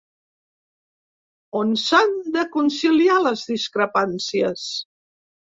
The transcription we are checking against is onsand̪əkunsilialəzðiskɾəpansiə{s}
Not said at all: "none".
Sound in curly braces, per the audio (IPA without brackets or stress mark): s